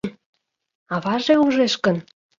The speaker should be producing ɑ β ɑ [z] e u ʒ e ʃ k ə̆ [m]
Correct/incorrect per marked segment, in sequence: incorrect: ʒ, incorrect: n

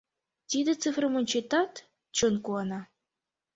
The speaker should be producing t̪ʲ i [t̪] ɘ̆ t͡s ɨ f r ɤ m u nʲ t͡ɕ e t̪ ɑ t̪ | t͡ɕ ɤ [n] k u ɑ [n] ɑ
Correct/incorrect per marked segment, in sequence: incorrect: d̪, correct, correct

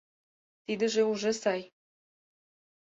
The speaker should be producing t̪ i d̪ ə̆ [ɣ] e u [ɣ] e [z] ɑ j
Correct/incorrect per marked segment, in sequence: incorrect: ʒ, incorrect: ʒ, incorrect: s

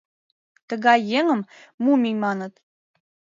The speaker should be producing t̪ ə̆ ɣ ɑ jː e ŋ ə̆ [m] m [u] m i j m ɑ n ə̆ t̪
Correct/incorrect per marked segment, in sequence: correct, correct

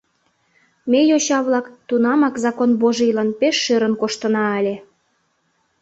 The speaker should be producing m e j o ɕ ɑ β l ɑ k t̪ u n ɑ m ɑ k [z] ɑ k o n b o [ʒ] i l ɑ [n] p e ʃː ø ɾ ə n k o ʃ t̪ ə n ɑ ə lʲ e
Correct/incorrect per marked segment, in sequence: correct, correct, correct

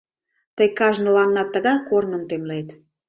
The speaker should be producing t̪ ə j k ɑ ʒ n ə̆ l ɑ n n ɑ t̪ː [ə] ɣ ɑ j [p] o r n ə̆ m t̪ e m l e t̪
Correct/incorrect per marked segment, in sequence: correct, incorrect: k

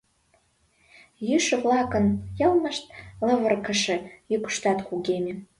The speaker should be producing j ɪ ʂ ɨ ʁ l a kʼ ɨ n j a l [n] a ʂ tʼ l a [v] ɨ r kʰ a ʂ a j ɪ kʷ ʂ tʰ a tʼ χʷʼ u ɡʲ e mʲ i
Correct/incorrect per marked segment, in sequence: incorrect: m, correct

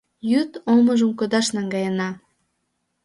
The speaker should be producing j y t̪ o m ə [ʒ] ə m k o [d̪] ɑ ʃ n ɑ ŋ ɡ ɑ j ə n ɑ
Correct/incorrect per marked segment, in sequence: correct, correct

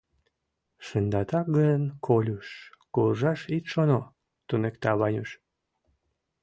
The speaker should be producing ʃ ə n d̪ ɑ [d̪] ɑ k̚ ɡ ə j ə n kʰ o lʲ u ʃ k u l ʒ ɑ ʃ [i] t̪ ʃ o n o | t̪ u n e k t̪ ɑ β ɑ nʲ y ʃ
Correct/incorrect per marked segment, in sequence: incorrect: t̪, correct

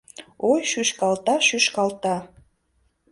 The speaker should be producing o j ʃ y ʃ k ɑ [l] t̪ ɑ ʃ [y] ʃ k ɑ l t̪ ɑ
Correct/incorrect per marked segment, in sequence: correct, correct

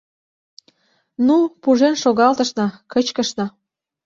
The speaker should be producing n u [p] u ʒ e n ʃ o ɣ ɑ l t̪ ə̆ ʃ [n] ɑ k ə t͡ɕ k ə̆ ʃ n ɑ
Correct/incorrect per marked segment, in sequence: correct, correct

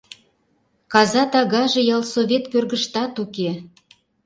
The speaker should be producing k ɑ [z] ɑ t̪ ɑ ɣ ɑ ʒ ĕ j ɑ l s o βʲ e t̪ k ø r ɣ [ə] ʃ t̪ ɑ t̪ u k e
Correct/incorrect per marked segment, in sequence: correct, correct

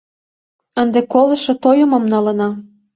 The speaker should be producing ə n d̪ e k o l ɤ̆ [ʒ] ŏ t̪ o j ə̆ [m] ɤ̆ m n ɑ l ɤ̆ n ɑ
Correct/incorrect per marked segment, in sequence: incorrect: ʃ, correct

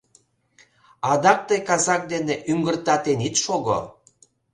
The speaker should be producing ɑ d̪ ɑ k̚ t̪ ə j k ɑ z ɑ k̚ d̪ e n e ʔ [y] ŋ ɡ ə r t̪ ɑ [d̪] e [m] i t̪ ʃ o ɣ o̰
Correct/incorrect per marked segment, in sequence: correct, incorrect: t̪, incorrect: n

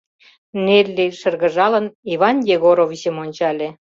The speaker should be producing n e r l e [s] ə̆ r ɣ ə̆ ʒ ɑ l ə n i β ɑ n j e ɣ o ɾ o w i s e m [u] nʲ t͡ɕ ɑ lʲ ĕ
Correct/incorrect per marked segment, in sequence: incorrect: ʃ, incorrect: o

